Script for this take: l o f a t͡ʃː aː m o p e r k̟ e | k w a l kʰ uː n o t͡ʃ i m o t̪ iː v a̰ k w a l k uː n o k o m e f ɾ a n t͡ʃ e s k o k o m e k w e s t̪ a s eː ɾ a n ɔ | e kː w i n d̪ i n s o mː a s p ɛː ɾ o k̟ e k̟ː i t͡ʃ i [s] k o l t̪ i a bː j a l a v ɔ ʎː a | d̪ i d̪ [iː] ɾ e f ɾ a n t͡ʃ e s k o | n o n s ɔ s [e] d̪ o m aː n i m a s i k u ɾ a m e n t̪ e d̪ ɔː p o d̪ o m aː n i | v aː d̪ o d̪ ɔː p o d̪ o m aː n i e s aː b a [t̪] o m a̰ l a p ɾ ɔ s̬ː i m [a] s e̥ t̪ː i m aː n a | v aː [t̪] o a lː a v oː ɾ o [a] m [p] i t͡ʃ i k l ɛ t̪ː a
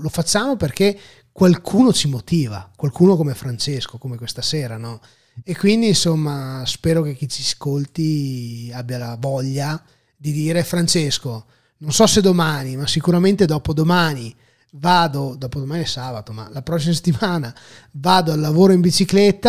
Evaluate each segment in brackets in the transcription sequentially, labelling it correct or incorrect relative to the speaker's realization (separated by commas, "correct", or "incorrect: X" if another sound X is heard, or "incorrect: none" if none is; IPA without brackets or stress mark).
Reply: correct, correct, correct, correct, correct, incorrect: d̪, incorrect: i, incorrect: b